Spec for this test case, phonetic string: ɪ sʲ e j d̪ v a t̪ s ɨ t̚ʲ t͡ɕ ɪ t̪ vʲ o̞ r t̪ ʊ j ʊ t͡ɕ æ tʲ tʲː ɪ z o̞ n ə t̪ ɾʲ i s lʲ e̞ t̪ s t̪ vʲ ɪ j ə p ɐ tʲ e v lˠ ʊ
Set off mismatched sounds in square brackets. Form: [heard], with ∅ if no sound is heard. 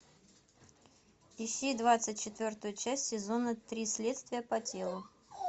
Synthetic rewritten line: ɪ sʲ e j d̪ v a t̪ s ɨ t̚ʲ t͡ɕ ɪ t̪ vʲ o̞ r t̪ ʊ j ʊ t͡ɕ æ [sʲ] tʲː ɪ z o̞ n ə t̪ ɾʲ i s lʲ e̞ t̪ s t̪ vʲ ɪ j ə p ɐ tʲ e [∅] lˠ ʊ